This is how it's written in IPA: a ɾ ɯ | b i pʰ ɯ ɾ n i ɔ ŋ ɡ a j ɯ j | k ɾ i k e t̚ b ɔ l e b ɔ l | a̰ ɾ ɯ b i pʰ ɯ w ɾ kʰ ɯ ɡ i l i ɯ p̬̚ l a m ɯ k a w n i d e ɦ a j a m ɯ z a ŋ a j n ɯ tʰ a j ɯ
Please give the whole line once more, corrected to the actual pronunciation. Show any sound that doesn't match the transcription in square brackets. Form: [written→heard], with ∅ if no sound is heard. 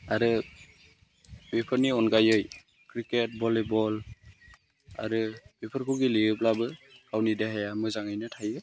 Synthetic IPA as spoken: a ɾ ɯ | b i pʰ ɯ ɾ n i ɔ [ŋ→n] ɡ a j ɯ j | k ɾ i k e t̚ b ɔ l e b ɔ l | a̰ ɾ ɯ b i pʰ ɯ [w→∅] ɾ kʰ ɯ ɡ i l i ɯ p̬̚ l a [m→b] ɯ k a w n i d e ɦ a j a m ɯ z a ŋ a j n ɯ tʰ a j ɯ

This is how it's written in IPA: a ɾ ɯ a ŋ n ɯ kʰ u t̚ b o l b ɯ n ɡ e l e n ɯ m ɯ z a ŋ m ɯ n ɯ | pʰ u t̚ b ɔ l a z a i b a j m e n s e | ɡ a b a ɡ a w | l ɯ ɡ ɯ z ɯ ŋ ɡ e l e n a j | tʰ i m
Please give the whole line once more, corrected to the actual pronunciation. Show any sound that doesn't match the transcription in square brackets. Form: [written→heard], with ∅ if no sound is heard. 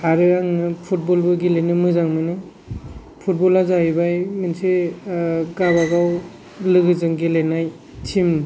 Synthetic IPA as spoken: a ɾ ɯ a ŋ n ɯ [kʰ→pʰ] u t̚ b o l b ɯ [n→∅] ɡ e l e n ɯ m ɯ z a ŋ m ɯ n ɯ | pʰ u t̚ b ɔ l a z a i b a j m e n s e | ɡ a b a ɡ a w | l ɯ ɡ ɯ z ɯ ŋ ɡ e l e n a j | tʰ i m

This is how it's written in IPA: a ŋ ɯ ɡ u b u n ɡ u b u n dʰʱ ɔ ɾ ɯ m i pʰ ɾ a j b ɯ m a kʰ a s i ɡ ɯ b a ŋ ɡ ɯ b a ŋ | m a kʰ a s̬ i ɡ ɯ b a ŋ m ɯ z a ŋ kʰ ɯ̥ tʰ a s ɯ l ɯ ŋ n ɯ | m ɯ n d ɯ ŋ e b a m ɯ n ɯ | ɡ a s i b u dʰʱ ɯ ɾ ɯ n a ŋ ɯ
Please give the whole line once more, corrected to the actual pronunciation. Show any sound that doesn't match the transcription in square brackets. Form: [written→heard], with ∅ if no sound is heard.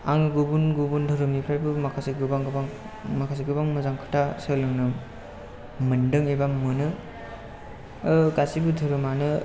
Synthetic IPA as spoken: a ŋ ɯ ɡ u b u n ɡ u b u n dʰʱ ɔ ɾ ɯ m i pʰ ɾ a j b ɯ m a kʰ a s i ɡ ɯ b a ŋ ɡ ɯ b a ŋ | m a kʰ a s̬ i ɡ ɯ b a ŋ m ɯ z a ŋ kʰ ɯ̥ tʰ a s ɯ l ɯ ŋ n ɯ | m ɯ n d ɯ ŋ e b a m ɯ n ɯ | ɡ a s i b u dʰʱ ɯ ɾ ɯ [n→m] a [ŋ→n] ɯ

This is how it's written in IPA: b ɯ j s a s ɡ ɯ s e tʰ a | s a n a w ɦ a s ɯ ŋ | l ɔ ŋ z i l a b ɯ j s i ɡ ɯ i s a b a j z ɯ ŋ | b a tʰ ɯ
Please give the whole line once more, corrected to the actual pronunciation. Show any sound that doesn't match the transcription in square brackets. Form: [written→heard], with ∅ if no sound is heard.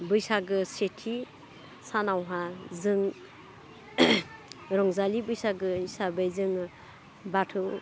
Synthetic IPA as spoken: b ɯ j s a [s→∅] ɡ ɯ s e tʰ [a→i] | s a n a w ɦ a [s→z] ɯ ŋ | [l→ɾ] ɔ ŋ z [i→a] l [a→i] b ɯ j s [i→a] ɡ ɯ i s a b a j z ɯ ŋ | b a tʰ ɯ

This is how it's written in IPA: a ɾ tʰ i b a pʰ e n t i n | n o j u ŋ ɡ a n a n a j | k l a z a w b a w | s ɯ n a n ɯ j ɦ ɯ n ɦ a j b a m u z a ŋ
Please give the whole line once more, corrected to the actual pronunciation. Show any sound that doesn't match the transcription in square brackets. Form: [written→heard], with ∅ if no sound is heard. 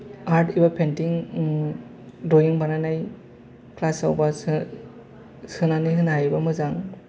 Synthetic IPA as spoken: a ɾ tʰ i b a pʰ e n t i [n→ŋ] | [n→d] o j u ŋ [ɡ→b] a n a n a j | k l a [z→s] a w b a [w→∅] | s ɯ n a n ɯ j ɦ ɯ n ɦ a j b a m [u→ɯ] z a ŋ

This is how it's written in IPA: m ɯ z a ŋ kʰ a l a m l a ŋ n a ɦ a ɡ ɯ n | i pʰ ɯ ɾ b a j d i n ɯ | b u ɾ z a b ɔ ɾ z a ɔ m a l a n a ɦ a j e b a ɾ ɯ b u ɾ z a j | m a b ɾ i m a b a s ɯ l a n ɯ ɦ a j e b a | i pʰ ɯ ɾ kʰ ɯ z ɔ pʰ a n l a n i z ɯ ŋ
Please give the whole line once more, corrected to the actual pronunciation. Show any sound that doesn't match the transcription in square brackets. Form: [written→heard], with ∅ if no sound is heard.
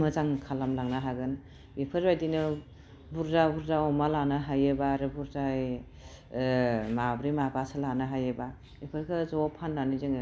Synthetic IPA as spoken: m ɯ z a ŋ kʰ a l a m l a ŋ n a ɦ a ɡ ɯ n | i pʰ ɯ ɾ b a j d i n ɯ | b u ɾ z a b [ɔ→u] ɾ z a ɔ m a l a n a ɦ a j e b a ɾ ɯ b u ɾ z a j | m a b ɾ i m a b a s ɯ l a n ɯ ɦ a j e b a | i pʰ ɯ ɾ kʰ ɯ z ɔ pʰ a n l a n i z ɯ ŋ

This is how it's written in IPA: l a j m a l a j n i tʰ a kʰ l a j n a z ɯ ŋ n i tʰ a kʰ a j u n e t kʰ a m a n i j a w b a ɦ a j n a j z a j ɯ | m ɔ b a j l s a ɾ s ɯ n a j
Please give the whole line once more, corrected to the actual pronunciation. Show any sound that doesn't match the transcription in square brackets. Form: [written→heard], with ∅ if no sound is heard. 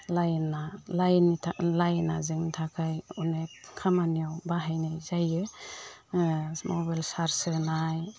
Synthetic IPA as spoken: l a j [m→n] a l a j n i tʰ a [kʰ→∅] l a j n a z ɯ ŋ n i tʰ a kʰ a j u n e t kʰ a m a n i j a w b a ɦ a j n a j z a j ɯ | m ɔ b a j l s a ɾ s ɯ n a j

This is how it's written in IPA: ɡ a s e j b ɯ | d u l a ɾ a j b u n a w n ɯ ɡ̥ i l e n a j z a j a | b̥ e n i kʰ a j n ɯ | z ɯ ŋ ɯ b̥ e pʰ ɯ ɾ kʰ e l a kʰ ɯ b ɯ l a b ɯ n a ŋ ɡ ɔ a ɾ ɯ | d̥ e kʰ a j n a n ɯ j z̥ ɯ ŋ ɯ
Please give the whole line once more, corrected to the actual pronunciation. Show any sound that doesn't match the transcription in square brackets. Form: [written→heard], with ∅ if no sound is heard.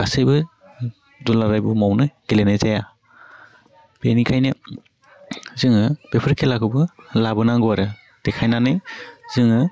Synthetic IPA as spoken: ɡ a s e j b ɯ | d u l a ɾ a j b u [n→m] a w n ɯ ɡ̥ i l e n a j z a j a | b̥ e n i kʰ a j n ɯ | z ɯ ŋ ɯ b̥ e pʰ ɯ ɾ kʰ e l a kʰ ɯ b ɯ l a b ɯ n a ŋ ɡ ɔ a ɾ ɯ | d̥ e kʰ a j n a n ɯ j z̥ ɯ ŋ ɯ

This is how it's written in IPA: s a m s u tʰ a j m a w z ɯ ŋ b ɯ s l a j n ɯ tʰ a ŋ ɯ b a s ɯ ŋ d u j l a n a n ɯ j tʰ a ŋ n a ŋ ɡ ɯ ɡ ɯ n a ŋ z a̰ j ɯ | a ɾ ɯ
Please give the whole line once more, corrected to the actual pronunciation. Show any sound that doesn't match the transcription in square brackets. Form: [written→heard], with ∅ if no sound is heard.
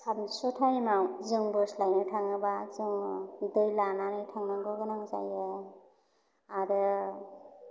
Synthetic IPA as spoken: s a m s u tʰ a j m a w z ɯ ŋ b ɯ s l a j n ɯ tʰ a ŋ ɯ b a [s→z] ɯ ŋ d [u→ɯ] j l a n a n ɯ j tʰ a ŋ n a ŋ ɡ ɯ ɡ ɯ n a ŋ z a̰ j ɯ | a ɾ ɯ

